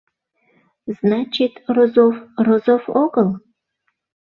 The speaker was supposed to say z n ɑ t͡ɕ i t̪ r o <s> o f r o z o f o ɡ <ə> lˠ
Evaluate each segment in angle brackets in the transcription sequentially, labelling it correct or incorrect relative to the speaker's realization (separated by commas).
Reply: incorrect, correct